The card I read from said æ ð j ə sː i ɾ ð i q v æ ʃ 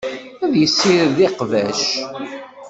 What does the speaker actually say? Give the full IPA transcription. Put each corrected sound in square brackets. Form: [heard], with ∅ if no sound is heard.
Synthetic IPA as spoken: æ ð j ə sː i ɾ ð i q v æ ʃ